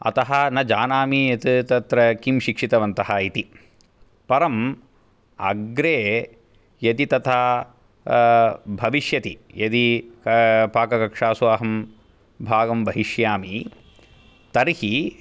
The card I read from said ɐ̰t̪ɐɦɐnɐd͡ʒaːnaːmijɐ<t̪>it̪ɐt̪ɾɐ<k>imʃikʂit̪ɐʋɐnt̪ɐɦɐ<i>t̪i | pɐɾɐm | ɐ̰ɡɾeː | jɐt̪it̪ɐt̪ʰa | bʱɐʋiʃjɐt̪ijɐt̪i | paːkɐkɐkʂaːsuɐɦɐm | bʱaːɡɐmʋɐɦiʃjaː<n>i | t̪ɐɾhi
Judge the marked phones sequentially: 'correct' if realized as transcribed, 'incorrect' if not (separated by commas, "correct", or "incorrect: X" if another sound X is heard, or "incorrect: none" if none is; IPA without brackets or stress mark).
correct, correct, correct, incorrect: m